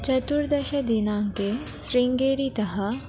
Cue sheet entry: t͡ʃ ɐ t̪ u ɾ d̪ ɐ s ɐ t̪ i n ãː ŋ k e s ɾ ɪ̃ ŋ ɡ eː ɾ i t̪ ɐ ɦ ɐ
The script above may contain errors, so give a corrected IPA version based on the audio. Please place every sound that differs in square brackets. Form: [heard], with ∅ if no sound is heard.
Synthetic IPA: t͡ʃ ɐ t̪ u ɾ d̪ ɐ [ʃ] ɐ [d̪] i n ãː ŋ k e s ɾ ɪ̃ ŋ ɡ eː ɾ i t̪ ɐ ɦ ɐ